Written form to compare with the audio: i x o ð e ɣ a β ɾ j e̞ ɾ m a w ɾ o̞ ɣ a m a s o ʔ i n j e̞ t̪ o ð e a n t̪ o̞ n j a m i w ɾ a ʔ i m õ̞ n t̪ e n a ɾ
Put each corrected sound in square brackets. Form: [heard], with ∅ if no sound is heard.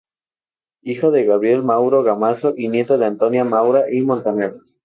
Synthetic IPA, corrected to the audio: i x o ð e ɣ a β ɾ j e̞ [l] m a w ɾ o̞ ɣ a m a s o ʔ i n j e̞ t̪ o ð e a n t̪ o̞ n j a m [a] w ɾ a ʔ i m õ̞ n t̪ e n [e] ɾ